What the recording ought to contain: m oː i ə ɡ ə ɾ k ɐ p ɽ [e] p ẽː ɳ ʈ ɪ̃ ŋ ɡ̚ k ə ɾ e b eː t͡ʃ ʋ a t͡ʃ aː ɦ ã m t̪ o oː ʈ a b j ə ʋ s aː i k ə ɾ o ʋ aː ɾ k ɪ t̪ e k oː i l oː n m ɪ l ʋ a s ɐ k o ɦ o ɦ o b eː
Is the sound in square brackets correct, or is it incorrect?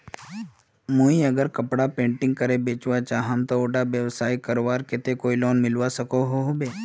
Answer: incorrect: a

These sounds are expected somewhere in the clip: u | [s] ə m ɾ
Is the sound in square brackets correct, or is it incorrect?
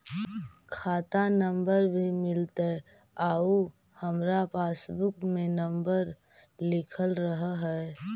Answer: incorrect: h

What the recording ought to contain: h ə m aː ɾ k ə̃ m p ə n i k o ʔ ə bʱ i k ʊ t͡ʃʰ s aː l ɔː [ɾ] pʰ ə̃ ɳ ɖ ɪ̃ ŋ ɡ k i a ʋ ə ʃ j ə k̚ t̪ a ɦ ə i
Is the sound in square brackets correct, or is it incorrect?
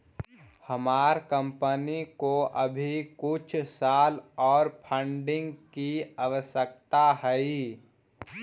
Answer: correct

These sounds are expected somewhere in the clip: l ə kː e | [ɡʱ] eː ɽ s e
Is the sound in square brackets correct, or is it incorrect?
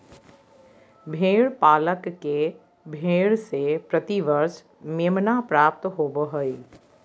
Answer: incorrect: bʱ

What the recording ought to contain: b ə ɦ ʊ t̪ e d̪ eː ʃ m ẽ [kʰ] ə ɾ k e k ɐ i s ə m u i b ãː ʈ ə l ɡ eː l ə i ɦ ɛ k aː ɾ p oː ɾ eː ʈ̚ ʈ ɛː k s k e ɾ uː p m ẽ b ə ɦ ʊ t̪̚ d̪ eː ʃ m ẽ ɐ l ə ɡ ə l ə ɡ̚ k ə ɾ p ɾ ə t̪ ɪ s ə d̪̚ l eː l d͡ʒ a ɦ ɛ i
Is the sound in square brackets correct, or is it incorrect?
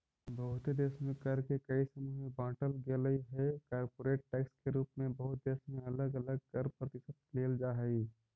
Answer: incorrect: k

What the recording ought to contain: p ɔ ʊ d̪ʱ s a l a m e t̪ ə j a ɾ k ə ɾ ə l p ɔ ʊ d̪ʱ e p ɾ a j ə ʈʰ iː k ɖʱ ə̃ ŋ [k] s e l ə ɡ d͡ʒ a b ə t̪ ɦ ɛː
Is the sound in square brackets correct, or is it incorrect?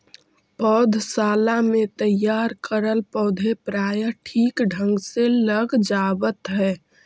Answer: incorrect: ɡ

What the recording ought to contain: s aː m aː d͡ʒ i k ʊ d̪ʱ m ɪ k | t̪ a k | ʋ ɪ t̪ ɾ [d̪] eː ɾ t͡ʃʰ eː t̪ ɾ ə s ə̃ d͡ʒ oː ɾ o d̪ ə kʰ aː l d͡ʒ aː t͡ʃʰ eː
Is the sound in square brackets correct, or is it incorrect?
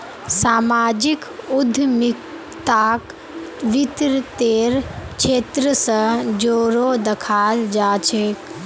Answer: incorrect: t̪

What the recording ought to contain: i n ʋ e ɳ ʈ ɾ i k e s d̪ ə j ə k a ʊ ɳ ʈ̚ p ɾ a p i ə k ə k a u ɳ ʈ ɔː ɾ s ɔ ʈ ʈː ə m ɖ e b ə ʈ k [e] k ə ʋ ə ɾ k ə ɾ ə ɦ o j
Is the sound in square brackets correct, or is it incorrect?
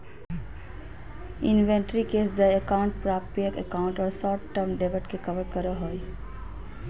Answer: correct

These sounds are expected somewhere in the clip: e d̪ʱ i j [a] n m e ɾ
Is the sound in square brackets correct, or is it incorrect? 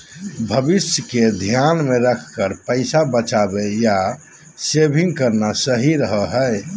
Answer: correct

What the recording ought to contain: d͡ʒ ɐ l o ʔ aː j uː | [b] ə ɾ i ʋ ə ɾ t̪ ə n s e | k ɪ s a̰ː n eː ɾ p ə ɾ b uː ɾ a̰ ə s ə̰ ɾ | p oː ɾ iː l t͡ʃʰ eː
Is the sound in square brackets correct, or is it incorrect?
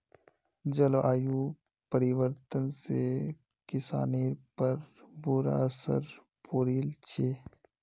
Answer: incorrect: p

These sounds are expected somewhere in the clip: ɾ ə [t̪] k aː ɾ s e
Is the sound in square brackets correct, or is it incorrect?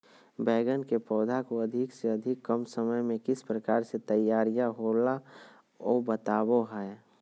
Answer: incorrect: none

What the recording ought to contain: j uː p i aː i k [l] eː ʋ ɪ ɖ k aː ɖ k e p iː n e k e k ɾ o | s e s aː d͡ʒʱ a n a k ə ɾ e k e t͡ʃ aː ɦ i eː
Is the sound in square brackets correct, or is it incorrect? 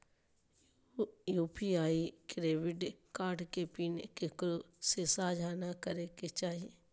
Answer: incorrect: ɾ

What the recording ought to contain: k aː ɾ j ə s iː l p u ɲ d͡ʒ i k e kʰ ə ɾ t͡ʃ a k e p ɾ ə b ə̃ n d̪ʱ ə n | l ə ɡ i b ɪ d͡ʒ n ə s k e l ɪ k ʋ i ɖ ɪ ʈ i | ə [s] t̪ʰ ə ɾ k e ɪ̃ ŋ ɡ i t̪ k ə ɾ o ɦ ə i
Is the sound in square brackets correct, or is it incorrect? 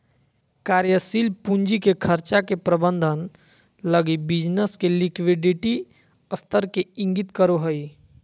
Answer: correct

